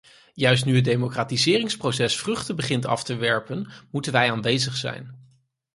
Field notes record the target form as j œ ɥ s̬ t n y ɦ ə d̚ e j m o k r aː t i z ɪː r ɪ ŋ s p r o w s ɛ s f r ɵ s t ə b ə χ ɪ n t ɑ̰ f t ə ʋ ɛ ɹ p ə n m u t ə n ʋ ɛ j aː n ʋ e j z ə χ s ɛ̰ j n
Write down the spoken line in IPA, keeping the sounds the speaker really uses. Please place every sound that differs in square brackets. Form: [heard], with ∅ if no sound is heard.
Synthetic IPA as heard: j œ ɥ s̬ t n y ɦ ə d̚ e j m o k r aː t i z ɪː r ɪ ŋ s p r o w s ɛ s f r ɵ [χ] t ə b ə χ ɪ n t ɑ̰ f t ə ʋ ɛ ɹ p ə n m u t ə n ʋ ɛ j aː n ʋ e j z ə χ s ɛ̰ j n